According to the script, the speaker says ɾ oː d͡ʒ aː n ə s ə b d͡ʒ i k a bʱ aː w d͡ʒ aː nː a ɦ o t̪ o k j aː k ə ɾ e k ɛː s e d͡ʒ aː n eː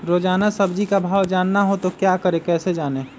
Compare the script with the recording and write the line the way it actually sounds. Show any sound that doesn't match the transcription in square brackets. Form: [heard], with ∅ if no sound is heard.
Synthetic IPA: ɾ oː d͡ʒ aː n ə s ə b d͡ʒ i k a bʱ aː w d͡ʒ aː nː a ɦ o t̪ o k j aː k ə ɾ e k ɛː s e d͡ʒ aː n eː